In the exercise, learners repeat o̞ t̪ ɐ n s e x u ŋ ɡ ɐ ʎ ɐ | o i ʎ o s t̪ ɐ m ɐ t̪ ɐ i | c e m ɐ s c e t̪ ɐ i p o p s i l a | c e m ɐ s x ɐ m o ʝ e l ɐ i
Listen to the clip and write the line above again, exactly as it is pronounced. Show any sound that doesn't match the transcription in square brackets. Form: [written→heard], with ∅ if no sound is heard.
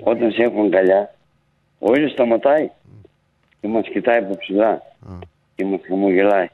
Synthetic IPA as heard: o̞ t̪ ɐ n s e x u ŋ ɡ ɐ ʎ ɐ | o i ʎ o s t̪ ɐ m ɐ t̪ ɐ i | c e m ɐ s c [e→i] t̪ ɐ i p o p s i l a | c e m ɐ s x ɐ m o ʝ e l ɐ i